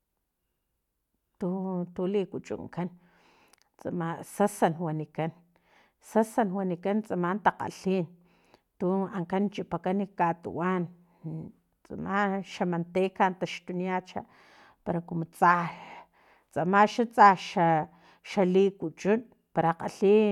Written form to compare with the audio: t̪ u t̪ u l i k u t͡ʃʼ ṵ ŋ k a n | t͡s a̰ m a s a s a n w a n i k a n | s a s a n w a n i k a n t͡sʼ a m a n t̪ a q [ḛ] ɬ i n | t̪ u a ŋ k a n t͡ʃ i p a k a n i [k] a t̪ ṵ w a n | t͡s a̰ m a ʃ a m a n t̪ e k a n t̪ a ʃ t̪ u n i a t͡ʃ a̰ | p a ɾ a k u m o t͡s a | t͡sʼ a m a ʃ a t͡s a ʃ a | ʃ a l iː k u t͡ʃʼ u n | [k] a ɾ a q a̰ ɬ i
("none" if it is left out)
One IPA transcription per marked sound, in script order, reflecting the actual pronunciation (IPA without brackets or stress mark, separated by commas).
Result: a̰, k, p